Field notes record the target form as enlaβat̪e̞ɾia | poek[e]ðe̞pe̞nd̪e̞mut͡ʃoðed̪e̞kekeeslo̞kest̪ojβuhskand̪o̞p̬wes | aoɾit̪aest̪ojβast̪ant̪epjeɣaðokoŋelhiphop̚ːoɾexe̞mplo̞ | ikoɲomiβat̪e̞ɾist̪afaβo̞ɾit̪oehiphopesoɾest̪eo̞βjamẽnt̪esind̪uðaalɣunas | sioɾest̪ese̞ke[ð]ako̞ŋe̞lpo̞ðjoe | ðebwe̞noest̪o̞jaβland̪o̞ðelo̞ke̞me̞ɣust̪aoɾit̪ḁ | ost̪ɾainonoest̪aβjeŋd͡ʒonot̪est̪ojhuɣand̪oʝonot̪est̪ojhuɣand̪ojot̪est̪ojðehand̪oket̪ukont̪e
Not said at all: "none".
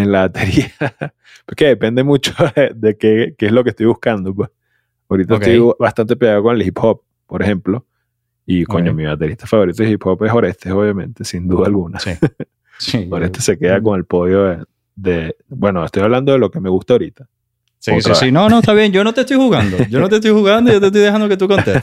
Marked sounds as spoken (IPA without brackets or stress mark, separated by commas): e, ð